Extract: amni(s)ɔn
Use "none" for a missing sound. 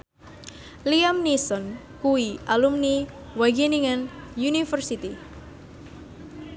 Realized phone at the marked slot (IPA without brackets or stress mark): s